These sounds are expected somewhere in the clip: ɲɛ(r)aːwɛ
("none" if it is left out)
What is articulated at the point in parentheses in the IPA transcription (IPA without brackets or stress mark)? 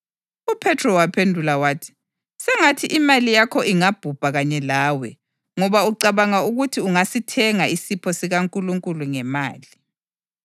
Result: l